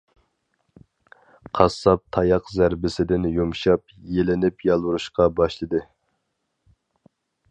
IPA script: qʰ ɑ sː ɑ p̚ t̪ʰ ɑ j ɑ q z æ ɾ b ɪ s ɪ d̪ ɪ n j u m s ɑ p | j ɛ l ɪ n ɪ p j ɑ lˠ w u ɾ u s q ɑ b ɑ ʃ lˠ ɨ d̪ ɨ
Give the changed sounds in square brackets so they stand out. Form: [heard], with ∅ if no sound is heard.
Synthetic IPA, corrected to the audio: qʰ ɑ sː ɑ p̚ t̪ʰ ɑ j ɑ q z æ ɾ b ɪ s ɪ d̪ ɪ n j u m [ʃ] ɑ p | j [e] l ɪ n ɪ p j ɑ lˠ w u ɾ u [ʃ] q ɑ b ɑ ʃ lˠ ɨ d̪ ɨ